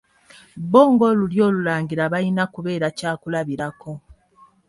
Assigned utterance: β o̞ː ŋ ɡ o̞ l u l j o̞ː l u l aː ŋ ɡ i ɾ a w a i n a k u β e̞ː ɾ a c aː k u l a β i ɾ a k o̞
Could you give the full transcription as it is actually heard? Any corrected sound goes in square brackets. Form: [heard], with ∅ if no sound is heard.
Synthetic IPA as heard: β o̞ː ŋ ɡ o̞ l u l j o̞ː l u l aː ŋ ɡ i ɾ a [β] a i n a k u β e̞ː ɾ a c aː k u l a β i ɾ a k o̞

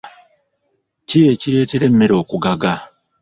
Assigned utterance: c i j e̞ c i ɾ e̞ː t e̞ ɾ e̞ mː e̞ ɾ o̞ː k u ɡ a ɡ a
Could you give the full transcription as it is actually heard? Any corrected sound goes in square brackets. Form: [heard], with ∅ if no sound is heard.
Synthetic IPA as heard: c i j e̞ c i ɾ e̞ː t e̞ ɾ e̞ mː e̞ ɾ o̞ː k u ɡ a ɡ a

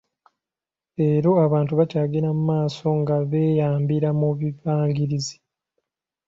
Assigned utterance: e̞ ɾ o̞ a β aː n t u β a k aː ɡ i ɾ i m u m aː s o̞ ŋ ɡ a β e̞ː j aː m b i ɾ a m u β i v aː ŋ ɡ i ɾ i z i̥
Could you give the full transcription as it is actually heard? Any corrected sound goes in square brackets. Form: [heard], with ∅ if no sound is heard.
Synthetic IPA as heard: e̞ ɾ o̞ a β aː n t u β a [c] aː ɡ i ɾ [a] m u m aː s o̞ ŋ ɡ a β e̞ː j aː m b i ɾ a m u β i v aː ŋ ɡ i ɾ i z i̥

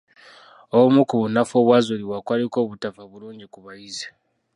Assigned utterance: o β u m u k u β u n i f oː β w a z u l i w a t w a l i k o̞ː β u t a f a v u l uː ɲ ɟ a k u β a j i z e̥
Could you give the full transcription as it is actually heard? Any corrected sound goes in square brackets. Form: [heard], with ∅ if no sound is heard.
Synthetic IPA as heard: o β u m u k u β u n [a] f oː β w a z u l i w a [k] w a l i k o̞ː β u t a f a [β] u l uː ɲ ɟ [i] k u β a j i z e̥

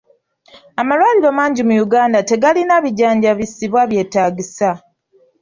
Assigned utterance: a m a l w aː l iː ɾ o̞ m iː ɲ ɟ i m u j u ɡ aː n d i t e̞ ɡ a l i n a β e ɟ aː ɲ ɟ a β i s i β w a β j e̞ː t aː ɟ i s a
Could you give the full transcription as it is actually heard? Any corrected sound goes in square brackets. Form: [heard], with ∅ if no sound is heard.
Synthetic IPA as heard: a m a l w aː l [i] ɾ o̞ m [aː] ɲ ɟ i m u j u ɡ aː n d [a] t e̞ ɡ a l i n a β [i] ɟ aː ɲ ɟ a β i s i β w a β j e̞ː t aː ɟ i s a

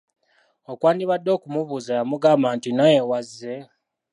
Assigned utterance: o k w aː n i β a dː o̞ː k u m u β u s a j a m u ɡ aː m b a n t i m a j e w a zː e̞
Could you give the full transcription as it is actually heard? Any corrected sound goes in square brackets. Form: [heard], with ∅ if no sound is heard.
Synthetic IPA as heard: o k w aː n i β a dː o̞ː k u m u β u [z] a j a m u ɡ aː m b a n t i [n] a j e w a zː e̞

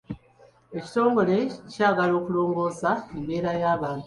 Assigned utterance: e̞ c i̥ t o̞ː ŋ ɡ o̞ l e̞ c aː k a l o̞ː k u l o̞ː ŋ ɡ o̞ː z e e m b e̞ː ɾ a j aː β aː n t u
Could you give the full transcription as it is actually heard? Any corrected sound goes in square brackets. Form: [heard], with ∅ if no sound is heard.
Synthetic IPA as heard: e̞ c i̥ t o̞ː ŋ ɡ o̞ l e̞ c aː [ɡ] a l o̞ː k u l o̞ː ŋ ɡ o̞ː z [a] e m b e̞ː ɾ a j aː β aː n t u

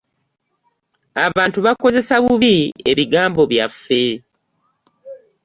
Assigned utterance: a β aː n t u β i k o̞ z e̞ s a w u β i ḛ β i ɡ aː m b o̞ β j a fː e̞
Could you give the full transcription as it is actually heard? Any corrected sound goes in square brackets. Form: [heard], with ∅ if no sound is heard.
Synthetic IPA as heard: a β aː n t u β [a] k o̞ z e̞ s a [β] u β i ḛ β i ɡ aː m b o̞ β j a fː e̞

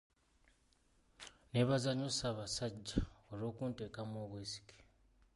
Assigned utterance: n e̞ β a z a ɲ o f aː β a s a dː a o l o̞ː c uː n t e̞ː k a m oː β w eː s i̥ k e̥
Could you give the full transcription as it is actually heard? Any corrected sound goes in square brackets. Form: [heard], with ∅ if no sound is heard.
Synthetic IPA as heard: n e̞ β a z a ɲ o [s] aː β a s a [ɟː] a o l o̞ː [k] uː n t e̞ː k a m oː β w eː s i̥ k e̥

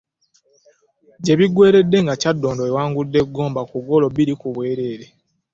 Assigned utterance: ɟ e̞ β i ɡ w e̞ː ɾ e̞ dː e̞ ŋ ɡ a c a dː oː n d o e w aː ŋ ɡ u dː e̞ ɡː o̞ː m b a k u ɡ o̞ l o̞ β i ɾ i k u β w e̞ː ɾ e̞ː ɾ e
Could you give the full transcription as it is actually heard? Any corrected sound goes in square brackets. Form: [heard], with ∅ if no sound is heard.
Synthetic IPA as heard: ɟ e̞ β i ɡ w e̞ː ɾ e̞ dː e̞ ŋ ɡ a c a dː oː n d o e w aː ŋ ɡ u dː e̞ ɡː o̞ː m b a k u ɡ o̞ l o̞ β i ɾ i k u β w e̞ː ɾ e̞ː ɾ e

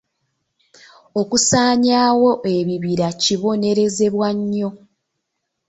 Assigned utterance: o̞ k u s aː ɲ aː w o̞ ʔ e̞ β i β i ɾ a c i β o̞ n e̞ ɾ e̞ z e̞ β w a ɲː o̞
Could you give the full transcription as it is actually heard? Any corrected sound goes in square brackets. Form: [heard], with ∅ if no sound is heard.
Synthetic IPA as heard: o̞ k u s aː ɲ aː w o̞ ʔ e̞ β i β i ɾ a c i β o̞ n e̞ ɾ e̞ z e̞ β w a ɲː o̞

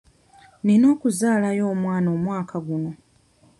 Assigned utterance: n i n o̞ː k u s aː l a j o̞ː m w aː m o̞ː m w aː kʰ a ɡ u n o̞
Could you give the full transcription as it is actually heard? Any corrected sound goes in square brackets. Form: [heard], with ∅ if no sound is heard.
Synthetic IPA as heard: n i n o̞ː k u [z] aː l a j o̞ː m w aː [n] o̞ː m w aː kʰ a ɡ u n o̞

